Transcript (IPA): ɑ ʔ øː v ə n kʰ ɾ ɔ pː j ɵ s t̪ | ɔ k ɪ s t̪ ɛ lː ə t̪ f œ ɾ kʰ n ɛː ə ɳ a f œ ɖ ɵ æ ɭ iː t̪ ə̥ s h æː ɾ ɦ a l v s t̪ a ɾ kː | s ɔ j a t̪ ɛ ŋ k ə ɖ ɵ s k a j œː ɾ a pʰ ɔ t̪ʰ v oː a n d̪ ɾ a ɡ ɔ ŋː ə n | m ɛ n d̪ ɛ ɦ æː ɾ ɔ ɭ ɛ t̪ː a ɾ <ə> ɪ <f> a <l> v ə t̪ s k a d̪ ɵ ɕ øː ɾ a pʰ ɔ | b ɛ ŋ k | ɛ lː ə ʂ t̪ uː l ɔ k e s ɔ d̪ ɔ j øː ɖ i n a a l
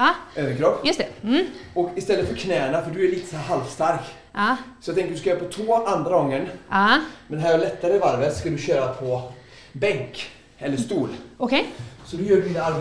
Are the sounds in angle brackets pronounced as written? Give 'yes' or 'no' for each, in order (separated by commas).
yes, no, no